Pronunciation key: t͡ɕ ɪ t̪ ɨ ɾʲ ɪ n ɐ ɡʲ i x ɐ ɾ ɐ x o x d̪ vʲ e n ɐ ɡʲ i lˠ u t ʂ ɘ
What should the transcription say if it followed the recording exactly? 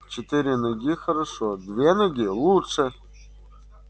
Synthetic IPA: t͡ɕ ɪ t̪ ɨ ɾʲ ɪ n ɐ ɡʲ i x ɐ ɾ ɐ ʂ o d̪ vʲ e n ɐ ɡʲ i lˠ u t ʂ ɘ

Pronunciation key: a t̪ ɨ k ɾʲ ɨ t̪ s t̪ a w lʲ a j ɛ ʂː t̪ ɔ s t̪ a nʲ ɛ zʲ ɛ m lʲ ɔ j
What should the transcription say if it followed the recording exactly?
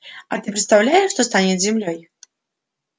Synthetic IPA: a t̪ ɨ p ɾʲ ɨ t̪ s t̪ a w lʲ a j ɛ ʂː t̪ ɔ s t̪ a nʲ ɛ zʲ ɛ m lʲ ɔ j

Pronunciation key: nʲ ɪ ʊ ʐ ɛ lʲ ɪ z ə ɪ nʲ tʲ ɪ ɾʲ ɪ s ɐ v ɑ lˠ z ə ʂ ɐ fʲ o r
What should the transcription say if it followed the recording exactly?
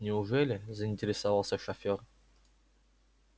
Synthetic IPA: nʲ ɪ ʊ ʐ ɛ lʲ ɪ z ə ɪ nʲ tʲ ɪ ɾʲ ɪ s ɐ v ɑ lˠ s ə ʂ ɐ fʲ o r

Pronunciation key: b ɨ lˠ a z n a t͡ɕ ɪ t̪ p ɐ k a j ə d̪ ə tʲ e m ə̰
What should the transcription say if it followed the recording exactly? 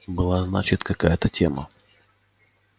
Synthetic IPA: b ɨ lˠ a z n a t͡ɕ ɪ t̪ k ɐ k a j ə t̪ ə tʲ e m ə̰

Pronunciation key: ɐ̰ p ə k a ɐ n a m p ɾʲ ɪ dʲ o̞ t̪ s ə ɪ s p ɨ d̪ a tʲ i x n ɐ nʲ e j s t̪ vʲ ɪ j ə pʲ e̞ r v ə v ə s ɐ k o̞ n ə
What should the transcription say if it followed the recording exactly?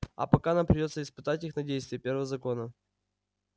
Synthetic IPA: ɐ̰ p ɐ k a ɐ n a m p ɾʲ ɪ dʲ o̞ t̪ s ə ɪ s p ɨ t̪ a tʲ i x n ɐ dʲ e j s t̪ vʲ ɪ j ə pʲ e̞ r v ə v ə z ɐ k o̞ n ə

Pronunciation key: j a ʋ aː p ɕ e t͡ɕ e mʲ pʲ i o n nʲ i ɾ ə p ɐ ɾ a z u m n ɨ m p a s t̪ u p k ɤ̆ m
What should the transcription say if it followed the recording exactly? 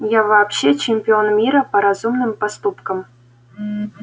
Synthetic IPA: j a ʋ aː p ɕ e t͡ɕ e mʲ pʲ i o n mʲ i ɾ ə p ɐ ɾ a z u m n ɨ m p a s t̪ u p k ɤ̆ m

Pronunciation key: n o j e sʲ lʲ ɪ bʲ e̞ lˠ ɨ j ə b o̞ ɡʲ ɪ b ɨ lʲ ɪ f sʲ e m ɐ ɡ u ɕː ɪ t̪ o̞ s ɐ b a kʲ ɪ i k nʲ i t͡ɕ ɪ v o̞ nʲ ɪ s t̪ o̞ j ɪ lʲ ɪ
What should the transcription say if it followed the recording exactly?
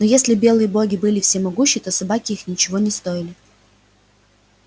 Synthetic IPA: n o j e sʲ lʲ ɪ bʲ e̞ lˠ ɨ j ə b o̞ ɡʲ ɪ b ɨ lʲ ɪ f sʲ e m ɐ ɡ u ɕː ɪ t̪ o̞ s ɐ b a kʲ ɪ i x nʲ ɪ t͡ɕ ɪ v o̞ nʲ ɪ s t̪ o̞ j ɪ lʲ ɪ

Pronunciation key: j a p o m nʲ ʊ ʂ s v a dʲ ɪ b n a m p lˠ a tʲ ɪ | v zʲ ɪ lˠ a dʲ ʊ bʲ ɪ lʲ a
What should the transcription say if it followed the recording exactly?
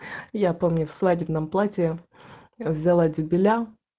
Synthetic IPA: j a p o m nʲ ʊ f s v a dʲ ɪ b n ə m p lˠ a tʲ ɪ | v zʲ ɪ lˠ a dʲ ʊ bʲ ɪ lʲ a

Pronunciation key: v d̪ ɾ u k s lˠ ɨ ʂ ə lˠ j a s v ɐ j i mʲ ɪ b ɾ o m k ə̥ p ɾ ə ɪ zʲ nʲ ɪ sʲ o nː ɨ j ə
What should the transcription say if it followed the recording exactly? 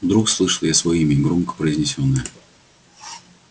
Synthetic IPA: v d̪ ɾ u k s lˠ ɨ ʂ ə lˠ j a s v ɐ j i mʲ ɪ ɡ ɾ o m k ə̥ p ɾ ə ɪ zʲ nʲ ɪ sʲ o nː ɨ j ə

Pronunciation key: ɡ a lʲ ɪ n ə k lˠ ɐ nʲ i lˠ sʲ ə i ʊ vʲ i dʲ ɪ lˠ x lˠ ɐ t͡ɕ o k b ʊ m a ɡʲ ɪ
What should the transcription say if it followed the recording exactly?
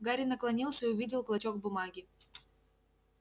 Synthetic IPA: ɡ a ɾʲ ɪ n ə k lˠ ɐ nʲ i lˠ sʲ ə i ʊ vʲ i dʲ ɪ lˠ k lˠ ɐ t͡ɕ o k b ʊ m a ɡʲ ɪ

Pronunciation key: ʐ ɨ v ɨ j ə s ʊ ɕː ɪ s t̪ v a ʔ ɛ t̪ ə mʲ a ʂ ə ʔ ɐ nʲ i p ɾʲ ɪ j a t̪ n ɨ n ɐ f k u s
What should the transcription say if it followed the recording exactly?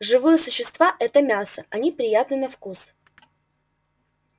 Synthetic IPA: ʐ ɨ v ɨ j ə s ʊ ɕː ɪ s t̪ v a ʔ ɛ t̪ ə mʲ a s ə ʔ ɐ nʲ i p ɾʲ ɪ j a t̪ n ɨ n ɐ f k u s

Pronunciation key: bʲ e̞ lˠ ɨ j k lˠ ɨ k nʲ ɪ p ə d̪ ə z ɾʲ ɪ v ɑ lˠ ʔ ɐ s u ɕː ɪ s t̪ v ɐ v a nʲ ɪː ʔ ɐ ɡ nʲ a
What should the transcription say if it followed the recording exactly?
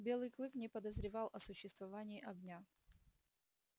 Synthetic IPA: bʲ e̞ lˠ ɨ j k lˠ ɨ k nʲ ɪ p ə d̪ ə z ɾʲ ɪ v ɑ lˠ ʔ ɐ s ʊ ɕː ɪ s t̪ v ɐ v a nʲ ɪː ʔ ɐ ɡ nʲ a

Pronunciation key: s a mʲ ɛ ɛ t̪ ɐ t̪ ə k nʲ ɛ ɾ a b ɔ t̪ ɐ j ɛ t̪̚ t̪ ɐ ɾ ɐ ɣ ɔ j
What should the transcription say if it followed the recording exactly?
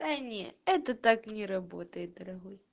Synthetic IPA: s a nʲ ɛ ɛ t̪ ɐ t̪ a k nʲ ɛ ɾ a b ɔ t̪ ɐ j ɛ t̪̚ d̪ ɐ ɾ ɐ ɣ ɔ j

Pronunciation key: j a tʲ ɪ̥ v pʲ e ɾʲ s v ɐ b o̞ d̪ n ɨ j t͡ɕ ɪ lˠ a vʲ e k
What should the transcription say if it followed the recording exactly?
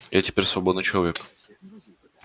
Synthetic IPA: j a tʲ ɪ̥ pʲ e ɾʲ s v ɐ b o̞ d̪ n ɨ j t͡ɕ ɪ lˠ ɐ vʲ e k

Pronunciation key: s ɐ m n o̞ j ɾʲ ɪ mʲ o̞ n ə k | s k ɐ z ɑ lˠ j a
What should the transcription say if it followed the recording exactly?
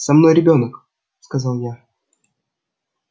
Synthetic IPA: s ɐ m n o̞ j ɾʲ ɪ bʲ o̞ n ə k | s k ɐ z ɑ lˠ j a

